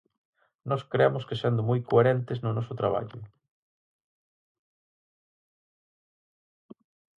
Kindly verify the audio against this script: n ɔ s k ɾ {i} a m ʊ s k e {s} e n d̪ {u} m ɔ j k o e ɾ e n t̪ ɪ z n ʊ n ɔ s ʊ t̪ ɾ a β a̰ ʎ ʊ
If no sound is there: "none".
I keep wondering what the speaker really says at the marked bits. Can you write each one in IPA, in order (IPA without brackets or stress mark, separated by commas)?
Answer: e, s, ʊ